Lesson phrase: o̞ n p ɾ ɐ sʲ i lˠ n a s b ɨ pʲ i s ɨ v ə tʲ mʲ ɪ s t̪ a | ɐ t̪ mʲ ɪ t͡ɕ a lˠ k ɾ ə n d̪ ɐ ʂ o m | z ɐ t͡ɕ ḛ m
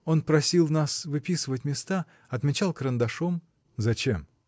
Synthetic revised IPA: o̞ n p ɾ ɐ sʲ i lˠ n a s v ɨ pʲ i s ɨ v ə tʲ mʲ ɪ s t̪ a | ɐ t̪ mʲ ɪ t͡ɕ a lˠ k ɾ ə n d̪ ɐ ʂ o m | z ɐ t͡ɕ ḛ m